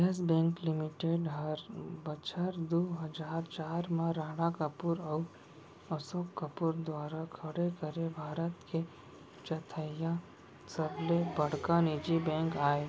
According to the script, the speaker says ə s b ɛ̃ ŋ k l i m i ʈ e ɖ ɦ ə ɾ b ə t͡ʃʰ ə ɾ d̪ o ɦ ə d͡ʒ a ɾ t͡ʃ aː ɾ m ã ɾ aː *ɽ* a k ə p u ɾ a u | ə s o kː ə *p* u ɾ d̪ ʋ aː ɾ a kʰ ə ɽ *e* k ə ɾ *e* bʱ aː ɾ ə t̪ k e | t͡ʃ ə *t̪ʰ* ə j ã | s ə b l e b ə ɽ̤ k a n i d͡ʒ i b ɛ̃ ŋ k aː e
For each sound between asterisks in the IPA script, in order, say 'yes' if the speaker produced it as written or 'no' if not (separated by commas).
yes, yes, yes, yes, yes